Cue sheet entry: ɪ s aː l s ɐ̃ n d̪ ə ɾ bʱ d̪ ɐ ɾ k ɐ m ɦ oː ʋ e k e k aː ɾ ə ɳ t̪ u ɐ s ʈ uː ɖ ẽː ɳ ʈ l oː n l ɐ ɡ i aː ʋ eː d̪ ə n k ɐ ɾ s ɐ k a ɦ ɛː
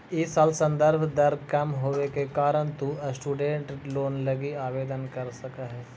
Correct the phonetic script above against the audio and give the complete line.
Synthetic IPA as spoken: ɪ s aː l s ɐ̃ n d̪ ə ɾ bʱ d̪ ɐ ɾ k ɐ m ɦ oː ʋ e k e k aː ɾ ə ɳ t̪ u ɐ s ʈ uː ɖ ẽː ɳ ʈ l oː n l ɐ ɡ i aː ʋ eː d̪ ə n k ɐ ɾ s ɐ k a ɦ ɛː